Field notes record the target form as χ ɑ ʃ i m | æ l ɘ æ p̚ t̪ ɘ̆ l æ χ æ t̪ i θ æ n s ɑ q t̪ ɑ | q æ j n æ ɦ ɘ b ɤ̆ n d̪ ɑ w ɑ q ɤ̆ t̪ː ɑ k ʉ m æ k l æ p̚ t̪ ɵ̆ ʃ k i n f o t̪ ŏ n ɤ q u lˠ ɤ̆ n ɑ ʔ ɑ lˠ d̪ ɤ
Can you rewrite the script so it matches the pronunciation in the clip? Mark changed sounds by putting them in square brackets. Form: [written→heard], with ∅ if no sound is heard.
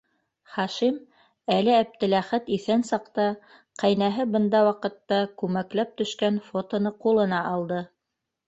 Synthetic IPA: χ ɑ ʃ i m | æ l ɘ æ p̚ t̪ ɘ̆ l æ χ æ t̪ i θ æ n s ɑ q t̪ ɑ | q æ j n æ ɦ ɘ b ɤ̆ n d̪ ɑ w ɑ q ɤ̆ t̪ː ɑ k ʉ m æ k l æ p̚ t̪ ɵ̆ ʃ k [i→æ] n f o t̪ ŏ n ɤ q u lˠ ɤ̆ n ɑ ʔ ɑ lˠ d̪ ɤ